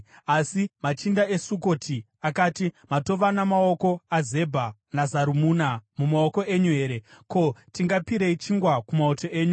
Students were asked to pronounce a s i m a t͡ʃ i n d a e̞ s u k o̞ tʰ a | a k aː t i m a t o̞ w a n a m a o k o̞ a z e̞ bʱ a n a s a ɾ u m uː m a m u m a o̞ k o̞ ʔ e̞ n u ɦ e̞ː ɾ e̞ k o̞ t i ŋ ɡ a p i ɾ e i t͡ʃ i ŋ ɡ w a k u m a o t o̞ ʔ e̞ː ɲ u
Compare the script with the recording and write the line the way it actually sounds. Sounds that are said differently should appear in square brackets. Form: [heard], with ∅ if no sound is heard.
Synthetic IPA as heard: a s i m a t͡ʃ i n d a e̞ s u k o̞ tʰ [i] | a k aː t i m a t o̞ [ʋ] a n a m a o k o̞ a z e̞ bʱ a n a [z] a ɾ u m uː [n] a m u m a o̞ k o̞ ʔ e̞ [ɲ] u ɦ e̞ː ɾ e̞ k o̞ t i ŋ ɡ a p i ɾ e i t͡ʃ i ŋ ɡ w a k u m a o t o̞ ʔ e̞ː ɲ u